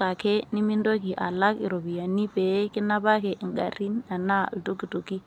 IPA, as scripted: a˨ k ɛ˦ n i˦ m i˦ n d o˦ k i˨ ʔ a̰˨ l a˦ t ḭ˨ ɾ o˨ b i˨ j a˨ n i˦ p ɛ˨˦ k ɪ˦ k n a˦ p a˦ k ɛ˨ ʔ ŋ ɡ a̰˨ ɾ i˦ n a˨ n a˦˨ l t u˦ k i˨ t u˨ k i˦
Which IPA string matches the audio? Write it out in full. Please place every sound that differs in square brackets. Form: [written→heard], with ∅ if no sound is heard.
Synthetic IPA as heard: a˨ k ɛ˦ n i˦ m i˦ n d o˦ k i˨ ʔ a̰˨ l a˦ [t→k] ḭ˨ ɾ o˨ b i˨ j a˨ n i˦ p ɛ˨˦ k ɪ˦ [k→∅] n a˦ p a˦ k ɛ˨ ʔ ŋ ɡ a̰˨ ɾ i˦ n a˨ n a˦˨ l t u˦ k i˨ t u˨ k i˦